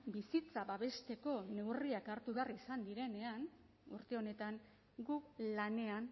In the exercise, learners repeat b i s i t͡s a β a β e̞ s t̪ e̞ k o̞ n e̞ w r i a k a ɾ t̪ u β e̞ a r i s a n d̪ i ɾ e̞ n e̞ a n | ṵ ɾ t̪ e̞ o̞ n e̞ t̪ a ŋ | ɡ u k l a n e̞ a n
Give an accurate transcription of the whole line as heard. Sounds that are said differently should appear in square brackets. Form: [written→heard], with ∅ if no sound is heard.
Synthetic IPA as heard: b i s i t͡s a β a β e̞ s t̪ e̞ k o̞ n e̞ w r i a k a ɾ t̪ u β e̞ a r i s a n d̪ i ɾ e̞ n e̞ a n | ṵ ɾ t̪ e̞ o̞ n e̞ t̪ a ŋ | ɡ u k l a n e̞ a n